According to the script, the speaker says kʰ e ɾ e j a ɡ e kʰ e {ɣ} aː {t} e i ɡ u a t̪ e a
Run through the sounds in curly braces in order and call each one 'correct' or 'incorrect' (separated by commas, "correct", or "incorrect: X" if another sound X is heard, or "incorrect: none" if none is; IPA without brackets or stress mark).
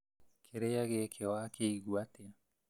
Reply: incorrect: w, incorrect: k